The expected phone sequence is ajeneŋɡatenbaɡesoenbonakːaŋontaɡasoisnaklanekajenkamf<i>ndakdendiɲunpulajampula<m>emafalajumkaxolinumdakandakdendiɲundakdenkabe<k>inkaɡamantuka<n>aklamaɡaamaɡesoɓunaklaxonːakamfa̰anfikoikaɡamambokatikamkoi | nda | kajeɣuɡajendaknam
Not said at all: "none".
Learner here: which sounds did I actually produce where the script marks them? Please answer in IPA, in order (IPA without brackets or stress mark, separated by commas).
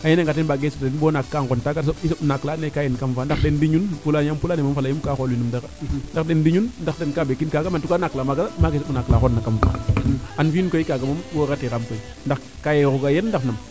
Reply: a, n, k, n